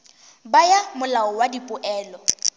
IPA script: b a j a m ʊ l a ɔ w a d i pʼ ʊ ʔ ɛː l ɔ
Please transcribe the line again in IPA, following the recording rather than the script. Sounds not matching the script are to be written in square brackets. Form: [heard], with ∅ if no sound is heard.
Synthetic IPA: b a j a m ʊ l a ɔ w a d i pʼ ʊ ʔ ɛː l ɔ